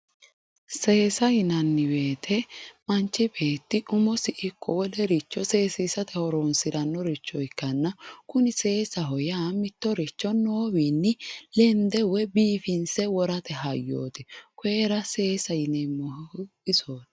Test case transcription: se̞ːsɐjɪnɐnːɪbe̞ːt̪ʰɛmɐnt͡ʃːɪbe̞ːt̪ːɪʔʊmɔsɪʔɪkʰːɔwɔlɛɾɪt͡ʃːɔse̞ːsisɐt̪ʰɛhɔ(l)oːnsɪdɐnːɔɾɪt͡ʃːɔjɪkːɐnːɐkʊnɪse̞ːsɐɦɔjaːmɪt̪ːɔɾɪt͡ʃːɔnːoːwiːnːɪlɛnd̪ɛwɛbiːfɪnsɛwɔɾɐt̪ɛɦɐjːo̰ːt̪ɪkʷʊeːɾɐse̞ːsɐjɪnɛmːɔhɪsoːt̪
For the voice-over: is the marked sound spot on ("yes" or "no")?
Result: no